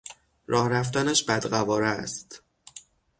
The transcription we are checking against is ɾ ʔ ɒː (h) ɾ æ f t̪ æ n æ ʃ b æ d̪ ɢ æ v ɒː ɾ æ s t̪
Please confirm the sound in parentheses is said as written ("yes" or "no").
yes